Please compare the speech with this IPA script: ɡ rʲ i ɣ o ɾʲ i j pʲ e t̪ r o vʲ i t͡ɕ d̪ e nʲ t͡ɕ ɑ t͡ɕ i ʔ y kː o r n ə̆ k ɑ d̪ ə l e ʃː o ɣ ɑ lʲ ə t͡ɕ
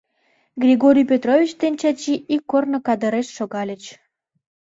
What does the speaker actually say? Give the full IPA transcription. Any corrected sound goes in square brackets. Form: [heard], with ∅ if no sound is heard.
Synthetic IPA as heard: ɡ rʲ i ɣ o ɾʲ i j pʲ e t̪ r o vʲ i t͡ɕ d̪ e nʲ t͡ɕ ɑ t͡ɕ i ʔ [i] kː o r n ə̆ k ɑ d̪ ə [ɾ] e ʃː o ɣ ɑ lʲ ə t͡ɕ